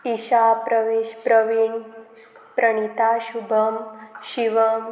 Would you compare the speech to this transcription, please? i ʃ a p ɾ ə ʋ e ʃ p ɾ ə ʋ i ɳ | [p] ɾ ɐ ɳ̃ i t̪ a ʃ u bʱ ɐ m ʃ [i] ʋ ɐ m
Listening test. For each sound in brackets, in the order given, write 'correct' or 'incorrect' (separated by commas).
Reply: correct, correct